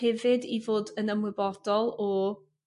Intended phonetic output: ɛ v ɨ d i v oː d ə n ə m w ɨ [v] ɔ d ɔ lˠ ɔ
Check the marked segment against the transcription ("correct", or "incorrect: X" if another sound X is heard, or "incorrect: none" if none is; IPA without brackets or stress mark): incorrect: b